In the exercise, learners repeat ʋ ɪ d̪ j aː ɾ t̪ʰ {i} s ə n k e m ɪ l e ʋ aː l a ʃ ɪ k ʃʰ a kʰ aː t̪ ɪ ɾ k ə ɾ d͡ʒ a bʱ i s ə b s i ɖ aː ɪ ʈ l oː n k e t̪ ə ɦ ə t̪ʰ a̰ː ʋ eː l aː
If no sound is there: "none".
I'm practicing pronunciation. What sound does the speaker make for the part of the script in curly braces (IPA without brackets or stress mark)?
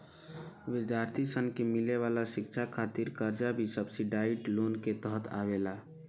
i